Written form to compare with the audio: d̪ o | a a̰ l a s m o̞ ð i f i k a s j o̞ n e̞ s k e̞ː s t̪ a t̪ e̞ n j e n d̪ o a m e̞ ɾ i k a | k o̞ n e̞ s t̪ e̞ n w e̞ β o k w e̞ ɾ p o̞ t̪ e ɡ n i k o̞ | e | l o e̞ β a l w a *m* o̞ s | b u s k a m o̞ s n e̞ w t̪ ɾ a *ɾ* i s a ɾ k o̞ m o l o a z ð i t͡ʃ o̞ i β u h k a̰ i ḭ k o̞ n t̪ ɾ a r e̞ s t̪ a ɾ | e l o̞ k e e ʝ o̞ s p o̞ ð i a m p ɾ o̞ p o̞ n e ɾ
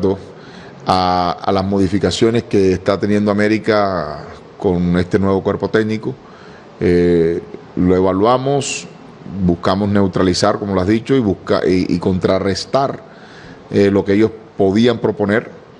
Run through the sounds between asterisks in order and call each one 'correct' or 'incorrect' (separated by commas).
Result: correct, incorrect